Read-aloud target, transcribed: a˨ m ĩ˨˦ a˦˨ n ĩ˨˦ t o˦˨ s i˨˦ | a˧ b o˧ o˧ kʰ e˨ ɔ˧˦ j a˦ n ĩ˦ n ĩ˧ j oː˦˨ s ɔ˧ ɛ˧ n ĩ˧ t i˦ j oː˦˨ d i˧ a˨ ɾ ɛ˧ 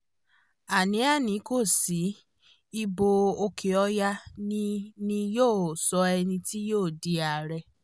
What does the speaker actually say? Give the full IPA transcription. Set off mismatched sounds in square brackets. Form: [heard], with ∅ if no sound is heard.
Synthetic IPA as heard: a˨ [n] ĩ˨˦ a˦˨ n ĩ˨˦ [k] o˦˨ s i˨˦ | [i˧] b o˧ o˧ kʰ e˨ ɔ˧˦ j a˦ n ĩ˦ n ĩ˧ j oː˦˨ s ɔ˧ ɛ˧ n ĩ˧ t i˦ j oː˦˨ d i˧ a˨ ɾ ɛ˧